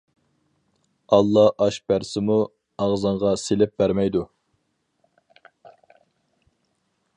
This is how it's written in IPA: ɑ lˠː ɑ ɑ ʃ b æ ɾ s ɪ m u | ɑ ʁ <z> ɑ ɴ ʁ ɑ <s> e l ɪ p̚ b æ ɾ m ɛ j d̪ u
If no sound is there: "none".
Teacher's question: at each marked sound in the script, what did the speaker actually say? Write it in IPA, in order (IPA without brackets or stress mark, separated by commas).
z, s